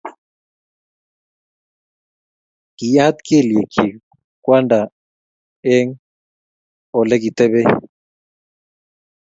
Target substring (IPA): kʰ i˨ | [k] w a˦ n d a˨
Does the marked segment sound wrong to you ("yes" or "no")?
no